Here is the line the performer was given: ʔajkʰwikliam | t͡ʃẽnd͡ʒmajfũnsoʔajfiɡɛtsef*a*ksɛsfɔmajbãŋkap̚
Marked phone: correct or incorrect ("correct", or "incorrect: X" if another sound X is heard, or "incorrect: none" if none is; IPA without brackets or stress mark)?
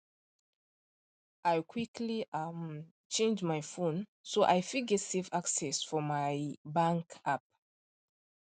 correct